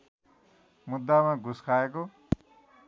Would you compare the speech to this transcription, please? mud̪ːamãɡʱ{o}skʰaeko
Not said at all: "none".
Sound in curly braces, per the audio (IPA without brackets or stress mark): u